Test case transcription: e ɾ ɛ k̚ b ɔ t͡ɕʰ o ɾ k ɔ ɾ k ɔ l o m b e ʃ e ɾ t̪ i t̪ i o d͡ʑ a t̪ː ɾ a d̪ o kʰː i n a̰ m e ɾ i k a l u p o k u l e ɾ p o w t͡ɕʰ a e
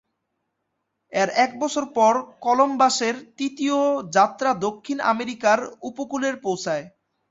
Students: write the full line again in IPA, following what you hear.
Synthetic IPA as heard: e ɾ ɛ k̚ b ɔ t͡ɕʰ o ɾ p ɔ ɾ k ɔ l o m b a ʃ e ɾ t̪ i t̪ i o d͡ʑ a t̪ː ɾ a d̪ o kʰː i n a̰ m e ɾ i k a ɾ u p o k u l e ɾ p o w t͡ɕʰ a e